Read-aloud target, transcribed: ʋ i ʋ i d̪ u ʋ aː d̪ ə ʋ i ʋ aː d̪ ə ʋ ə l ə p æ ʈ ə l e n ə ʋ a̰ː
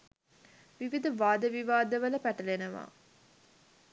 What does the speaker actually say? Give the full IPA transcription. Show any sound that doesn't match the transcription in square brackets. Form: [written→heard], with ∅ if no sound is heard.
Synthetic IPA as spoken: ʋ i ʋ i d̪ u ʋ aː d̪ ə ʋ i ʋ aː d̪ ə ʋ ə l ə p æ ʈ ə l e n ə ʋ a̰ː